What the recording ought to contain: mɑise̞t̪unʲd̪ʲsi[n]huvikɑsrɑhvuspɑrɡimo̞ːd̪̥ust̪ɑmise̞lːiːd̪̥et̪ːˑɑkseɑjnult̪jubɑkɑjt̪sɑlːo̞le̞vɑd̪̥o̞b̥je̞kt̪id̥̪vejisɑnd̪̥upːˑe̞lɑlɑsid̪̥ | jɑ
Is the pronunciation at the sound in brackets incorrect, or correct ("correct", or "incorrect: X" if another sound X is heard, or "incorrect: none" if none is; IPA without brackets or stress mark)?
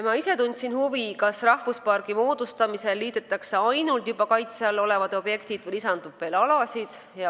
correct